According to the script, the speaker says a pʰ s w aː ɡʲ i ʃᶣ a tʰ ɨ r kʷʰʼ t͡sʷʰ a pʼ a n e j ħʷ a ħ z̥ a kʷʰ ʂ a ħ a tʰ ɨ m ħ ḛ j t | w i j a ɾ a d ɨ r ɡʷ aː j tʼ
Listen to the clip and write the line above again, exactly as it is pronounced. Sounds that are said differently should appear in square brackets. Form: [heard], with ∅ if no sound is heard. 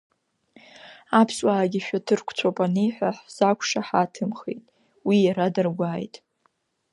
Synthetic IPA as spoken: a pʰ s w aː ɡʲ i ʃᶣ a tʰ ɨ r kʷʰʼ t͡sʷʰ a pʼ a n e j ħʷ a ħ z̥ a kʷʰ ʂ a ħ a tʰ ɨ m [χ] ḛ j [tʼ] | w i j a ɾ a d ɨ r ɡʷ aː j tʼ